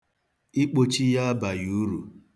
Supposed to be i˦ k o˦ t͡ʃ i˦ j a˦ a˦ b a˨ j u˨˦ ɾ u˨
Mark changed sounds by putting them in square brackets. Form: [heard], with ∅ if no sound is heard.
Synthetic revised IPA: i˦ [k͡p] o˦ t͡ʃ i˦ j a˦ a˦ b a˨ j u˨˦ ɾ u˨